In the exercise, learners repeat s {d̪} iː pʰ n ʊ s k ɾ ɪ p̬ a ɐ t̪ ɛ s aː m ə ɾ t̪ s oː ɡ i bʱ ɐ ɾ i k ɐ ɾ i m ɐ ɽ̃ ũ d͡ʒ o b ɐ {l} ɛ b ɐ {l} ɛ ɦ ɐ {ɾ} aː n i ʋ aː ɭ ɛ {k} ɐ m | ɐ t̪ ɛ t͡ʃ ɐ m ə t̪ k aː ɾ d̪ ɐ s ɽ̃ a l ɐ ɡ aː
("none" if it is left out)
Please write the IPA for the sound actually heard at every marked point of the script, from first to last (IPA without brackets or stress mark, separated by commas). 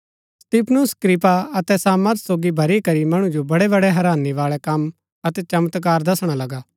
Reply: t̪, ɽ, ɽ, ɾ, k